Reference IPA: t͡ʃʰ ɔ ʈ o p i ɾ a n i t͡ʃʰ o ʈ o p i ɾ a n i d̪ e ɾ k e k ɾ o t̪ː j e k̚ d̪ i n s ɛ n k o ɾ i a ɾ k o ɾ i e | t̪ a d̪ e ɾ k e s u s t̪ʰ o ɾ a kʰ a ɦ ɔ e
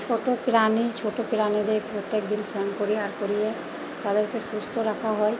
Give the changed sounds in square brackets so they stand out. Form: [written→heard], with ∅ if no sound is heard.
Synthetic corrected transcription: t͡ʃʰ [ɔ→o] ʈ o p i ɾ a n i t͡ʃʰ o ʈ o p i ɾ a n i d̪ e ɾ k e [k→p] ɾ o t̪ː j e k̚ d̪ i n s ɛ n k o ɾ i a ɾ k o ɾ i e | t̪ a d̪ e ɾ k e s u s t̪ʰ o ɾ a kʰ a ɦ ɔ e